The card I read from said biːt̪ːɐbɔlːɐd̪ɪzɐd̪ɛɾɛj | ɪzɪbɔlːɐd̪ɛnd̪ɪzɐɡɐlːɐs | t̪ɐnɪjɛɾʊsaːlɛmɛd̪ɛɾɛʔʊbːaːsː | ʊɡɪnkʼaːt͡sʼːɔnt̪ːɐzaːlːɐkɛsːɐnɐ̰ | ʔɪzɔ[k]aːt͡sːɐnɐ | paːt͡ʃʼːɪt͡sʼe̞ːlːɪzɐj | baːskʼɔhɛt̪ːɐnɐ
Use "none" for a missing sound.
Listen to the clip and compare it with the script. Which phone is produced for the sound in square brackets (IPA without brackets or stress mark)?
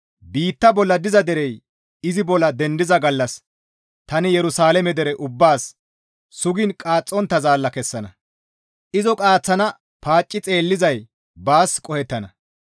kʼ